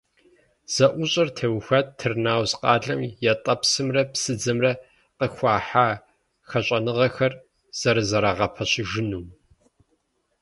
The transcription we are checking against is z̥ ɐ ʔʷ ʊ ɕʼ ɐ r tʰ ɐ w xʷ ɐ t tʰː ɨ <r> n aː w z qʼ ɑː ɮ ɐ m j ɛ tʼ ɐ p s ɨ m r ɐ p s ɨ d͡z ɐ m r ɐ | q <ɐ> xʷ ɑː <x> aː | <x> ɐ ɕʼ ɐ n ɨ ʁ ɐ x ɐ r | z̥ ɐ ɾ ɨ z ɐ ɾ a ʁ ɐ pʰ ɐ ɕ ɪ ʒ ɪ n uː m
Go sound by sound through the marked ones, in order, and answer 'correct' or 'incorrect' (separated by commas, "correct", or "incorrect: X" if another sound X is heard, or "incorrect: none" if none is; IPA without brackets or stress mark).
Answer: correct, incorrect: ə, incorrect: ħ, correct